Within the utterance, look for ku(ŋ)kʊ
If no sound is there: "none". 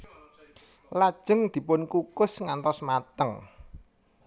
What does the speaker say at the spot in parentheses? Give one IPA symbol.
none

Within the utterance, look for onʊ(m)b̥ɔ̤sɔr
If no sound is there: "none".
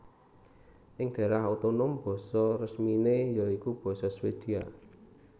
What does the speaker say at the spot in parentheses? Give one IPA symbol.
m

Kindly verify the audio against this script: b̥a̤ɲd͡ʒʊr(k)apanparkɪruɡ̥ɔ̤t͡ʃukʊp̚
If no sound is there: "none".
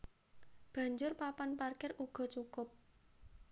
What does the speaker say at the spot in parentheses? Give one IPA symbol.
p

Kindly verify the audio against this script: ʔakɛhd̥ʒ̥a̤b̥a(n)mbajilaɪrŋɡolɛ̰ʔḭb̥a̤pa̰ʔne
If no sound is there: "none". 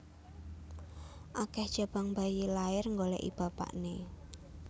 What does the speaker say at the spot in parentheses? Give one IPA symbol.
ŋ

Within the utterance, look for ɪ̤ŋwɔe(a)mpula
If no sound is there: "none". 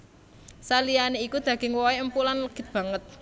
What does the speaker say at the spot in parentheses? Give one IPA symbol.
ə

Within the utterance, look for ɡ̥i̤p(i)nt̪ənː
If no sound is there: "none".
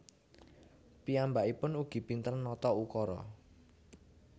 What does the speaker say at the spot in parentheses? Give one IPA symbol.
i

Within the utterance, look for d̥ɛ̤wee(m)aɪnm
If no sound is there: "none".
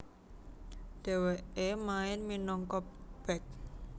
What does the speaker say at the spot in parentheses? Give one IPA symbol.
m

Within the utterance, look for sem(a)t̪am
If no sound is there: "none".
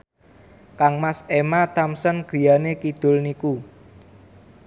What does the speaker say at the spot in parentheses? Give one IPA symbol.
a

